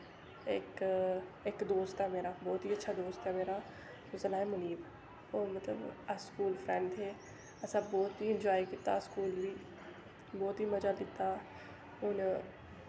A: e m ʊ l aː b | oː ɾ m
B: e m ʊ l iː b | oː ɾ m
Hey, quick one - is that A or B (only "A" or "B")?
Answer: B